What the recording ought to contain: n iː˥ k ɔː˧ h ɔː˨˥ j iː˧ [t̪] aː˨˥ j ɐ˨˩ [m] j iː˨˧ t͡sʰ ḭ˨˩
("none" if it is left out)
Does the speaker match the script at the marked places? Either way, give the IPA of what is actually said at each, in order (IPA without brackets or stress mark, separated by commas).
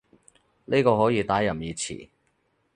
t̪, m